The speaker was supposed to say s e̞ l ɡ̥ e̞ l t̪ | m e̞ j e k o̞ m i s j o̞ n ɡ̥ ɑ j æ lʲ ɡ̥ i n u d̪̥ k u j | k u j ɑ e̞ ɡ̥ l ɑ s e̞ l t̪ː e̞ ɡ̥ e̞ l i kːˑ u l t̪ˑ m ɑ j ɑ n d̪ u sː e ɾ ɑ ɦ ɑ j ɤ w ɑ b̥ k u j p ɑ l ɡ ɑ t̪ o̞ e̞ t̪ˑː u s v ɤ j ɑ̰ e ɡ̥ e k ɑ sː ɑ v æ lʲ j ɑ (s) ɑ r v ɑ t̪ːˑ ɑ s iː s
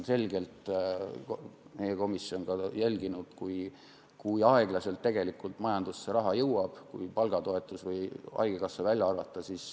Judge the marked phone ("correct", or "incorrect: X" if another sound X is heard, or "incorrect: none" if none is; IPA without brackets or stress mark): incorrect: none